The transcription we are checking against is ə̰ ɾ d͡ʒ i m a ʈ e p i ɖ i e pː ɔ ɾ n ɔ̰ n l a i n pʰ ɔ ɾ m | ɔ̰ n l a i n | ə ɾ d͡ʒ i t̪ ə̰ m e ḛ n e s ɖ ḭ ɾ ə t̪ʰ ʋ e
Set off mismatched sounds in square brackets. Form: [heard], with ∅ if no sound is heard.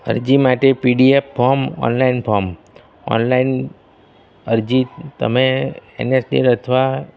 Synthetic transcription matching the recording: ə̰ ɾ d͡ʒ i m a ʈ e p i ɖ i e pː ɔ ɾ [m] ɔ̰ n l a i n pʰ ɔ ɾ m | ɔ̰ n l a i n | ə ɾ d͡ʒ i t̪ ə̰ m e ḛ n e s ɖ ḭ ɾ ə t̪ʰ ʋ [a]